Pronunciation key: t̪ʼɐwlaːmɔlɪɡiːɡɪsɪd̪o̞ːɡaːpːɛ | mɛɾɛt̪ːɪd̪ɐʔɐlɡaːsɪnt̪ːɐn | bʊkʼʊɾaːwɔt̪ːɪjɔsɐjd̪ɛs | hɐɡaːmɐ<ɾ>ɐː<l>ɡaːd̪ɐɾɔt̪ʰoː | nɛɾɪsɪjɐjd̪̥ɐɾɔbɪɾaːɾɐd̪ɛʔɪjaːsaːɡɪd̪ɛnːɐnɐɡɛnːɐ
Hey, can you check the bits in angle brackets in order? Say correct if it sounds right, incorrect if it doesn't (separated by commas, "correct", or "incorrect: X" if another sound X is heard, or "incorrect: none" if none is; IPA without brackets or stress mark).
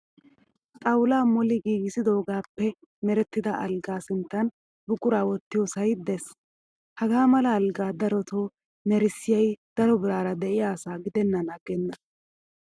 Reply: incorrect: l, correct